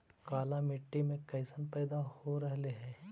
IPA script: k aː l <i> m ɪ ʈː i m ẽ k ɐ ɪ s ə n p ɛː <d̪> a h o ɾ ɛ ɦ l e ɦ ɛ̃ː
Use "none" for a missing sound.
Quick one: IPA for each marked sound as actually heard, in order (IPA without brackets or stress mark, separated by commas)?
a, d̪